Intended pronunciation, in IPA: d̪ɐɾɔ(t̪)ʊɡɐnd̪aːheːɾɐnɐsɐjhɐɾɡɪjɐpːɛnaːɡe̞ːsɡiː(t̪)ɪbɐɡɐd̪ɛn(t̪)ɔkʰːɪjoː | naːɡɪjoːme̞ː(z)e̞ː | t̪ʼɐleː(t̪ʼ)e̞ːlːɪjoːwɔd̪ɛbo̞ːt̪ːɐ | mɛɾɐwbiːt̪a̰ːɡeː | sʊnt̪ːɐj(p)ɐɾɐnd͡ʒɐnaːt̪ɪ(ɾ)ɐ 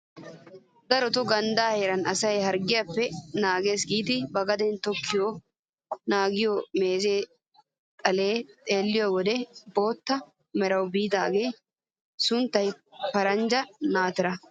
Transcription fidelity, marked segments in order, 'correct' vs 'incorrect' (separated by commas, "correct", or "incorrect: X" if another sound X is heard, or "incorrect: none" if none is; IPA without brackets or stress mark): correct, correct, correct, correct, correct, correct, correct